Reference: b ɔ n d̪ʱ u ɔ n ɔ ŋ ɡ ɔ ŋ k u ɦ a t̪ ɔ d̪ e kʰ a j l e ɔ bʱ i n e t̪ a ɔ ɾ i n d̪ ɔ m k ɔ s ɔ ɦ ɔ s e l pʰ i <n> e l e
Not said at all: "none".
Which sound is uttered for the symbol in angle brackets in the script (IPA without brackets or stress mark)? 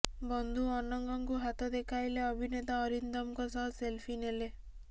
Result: n